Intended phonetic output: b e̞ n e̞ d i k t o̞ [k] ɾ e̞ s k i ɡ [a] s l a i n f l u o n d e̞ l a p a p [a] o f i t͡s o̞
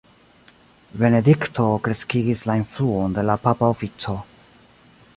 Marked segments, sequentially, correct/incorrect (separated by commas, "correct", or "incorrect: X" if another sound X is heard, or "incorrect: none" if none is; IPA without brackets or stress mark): correct, incorrect: i, correct